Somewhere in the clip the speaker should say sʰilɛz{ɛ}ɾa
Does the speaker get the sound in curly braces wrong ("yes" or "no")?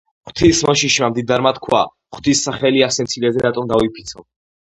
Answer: no